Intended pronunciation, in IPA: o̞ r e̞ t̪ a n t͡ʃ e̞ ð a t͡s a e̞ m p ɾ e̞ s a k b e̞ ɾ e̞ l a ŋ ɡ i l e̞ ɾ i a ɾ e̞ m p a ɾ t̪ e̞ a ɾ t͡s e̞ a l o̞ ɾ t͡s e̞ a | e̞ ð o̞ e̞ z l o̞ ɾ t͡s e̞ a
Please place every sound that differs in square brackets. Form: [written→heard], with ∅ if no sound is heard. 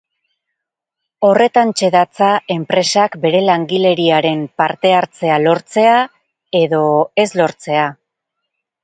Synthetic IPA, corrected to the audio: o̞ r e̞ t̪ a n t͡ʃ e̞ ð a t͡s a e̞ m p ɾ e̞ s a k b e̞ ɾ e̞ l a ŋ ɡ i l e̞ ɾ i a ɾ e̞ m p a ɾ t̪ e̞ a ɾ t͡s e̞ a l o̞ ɾ t͡s e̞ a | e̞ ð o̞ e̞ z l o̞ ɾ t͡s e̞ a